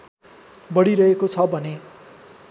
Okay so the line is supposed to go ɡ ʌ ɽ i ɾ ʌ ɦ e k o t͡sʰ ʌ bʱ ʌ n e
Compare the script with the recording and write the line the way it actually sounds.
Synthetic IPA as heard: b ʌ ɽ i ɾ ʌ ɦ e k o t͡sʰ ʌ bʱ ʌ n e

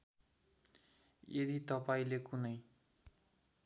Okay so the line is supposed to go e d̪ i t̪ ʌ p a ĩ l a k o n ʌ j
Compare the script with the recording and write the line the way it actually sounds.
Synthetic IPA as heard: e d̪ i t̪ ʌ p a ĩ l e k u n ʌ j

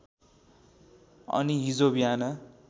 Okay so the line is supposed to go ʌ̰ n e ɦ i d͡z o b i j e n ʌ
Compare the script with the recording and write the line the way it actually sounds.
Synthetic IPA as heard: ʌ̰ n i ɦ i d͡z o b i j a n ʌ

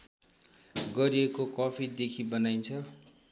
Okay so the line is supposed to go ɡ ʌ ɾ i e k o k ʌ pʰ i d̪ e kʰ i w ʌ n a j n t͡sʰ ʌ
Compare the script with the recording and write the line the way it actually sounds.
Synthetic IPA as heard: ɡ ʌ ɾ i e k o k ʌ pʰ i d̪ e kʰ i b ʌ n a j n t͡sʰ ʌ

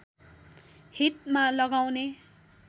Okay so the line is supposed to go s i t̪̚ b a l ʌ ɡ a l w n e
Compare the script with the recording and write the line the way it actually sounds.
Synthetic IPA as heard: h i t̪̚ m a l ʌ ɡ a w n e

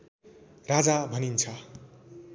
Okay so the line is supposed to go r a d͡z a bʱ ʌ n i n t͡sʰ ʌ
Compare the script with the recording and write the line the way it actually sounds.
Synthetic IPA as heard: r a d͡z a bʱ ʌ n i n t͡sʰ ʌ

